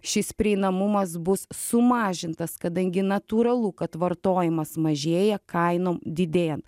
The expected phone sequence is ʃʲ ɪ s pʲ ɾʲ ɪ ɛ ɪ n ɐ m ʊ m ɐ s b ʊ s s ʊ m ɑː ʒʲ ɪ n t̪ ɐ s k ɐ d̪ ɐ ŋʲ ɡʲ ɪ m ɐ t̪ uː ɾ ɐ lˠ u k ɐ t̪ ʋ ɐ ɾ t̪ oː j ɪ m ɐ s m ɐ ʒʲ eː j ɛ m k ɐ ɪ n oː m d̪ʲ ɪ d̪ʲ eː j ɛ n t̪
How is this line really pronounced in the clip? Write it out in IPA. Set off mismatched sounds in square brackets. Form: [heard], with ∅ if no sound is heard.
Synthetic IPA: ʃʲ ɪ s pʲ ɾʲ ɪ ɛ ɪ n ɐ m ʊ m ɐ s b ʊ s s ʊ m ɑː ʒʲ ɪ n t̪ ɐ s k ɐ d̪ ɐ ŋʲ ɡʲ ɪ [n] ɐ t̪ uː ɾ ɐ lˠ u k ɐ t̪ ʋ ɐ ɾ t̪ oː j ɪ m ɐ s m ɐ ʒʲ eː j ɛ [∅] k ɐ ɪ n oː m d̪ʲ ɪ d̪ʲ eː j ɛ n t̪